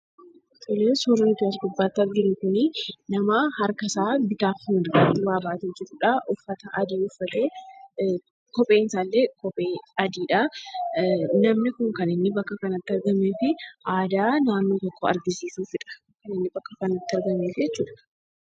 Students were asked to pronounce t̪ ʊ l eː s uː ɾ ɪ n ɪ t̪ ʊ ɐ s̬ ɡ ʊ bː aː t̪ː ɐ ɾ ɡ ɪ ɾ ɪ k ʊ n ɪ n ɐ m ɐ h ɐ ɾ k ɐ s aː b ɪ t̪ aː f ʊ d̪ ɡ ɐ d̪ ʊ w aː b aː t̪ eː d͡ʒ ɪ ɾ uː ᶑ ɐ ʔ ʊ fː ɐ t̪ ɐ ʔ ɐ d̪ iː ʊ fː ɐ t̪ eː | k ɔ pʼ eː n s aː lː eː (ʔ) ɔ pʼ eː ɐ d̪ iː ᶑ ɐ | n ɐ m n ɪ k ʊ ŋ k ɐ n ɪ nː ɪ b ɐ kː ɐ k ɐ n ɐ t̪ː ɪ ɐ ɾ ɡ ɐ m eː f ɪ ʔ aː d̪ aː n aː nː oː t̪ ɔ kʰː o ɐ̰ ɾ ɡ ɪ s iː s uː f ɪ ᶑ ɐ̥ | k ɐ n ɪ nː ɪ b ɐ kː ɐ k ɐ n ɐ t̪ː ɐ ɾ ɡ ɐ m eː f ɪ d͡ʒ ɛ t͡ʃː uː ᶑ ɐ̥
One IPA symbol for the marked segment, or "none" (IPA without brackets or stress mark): k